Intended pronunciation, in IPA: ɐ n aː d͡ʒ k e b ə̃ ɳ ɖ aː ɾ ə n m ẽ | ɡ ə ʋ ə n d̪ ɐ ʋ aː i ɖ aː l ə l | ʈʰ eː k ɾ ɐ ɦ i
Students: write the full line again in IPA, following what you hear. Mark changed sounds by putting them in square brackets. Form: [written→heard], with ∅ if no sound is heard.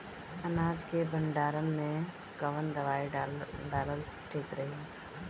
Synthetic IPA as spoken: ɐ n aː d͡ʒ k e b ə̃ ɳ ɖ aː ɾ ə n m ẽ | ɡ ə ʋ ə n d̪ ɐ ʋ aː i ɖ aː l ə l | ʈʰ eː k ɾ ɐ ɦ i